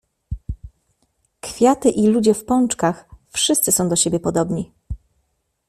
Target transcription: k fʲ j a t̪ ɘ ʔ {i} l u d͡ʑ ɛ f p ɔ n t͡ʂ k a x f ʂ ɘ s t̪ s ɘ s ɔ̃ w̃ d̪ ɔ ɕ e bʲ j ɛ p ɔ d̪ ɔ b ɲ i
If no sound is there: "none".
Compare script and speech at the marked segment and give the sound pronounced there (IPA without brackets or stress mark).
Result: i